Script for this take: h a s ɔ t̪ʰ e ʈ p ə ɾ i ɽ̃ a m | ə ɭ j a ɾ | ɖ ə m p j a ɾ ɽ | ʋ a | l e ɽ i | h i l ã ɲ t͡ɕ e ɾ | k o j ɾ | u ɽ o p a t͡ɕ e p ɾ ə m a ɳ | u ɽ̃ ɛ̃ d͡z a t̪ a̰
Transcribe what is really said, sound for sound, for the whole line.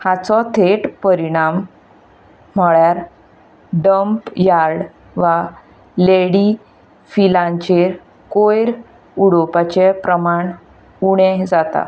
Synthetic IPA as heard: h a t͡s ɔ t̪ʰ e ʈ p ə ɾ i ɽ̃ a m | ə ɭ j a ɾ | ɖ ə m p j a ɾ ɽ | ʋ a | l e ɽ i | f i l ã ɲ t͡ɕ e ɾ | k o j ɾ | u ɽ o p a t͡ɕ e p ɾ ə m a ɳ | u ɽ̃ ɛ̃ d͡z a t̪ a̰